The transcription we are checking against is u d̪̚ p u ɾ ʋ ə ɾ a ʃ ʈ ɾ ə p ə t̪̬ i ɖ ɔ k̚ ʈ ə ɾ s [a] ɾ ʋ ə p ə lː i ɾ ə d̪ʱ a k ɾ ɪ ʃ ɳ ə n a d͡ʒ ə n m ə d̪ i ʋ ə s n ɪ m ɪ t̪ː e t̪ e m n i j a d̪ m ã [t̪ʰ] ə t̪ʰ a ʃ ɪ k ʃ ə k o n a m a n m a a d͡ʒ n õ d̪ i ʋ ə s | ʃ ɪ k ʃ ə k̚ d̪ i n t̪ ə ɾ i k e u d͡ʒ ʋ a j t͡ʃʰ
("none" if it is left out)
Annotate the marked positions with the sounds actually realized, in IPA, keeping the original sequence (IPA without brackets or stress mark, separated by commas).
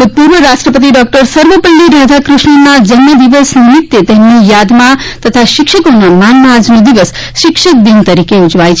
ə, t̪